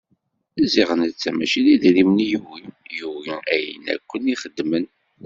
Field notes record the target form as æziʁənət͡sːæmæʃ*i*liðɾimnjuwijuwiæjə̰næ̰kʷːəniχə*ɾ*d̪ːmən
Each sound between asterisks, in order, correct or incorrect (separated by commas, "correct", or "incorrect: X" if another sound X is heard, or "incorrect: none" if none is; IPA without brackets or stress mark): correct, incorrect: none